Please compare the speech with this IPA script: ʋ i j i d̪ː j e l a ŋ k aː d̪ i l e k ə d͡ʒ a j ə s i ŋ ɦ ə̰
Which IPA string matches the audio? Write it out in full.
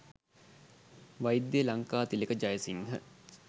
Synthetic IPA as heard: ʋ a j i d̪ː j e l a ŋ k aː t̪ i l e k ə d͡ʒ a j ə s i ŋ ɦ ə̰